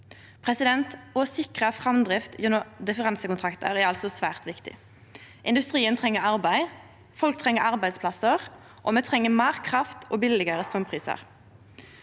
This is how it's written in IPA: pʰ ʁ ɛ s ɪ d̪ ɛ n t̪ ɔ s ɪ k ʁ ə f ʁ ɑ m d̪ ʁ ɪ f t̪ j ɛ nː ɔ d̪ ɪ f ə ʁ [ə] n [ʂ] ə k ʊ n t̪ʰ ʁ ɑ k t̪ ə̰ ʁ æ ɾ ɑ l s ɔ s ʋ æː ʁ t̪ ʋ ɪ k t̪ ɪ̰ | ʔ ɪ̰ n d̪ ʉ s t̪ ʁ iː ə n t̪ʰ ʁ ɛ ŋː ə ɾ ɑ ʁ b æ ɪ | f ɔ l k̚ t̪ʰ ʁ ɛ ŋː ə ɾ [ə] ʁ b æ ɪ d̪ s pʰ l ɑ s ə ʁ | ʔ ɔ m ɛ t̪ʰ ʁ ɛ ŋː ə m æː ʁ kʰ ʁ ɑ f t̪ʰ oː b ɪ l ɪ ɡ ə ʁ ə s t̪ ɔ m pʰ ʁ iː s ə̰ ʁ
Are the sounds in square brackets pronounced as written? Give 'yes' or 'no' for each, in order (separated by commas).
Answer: no, no, no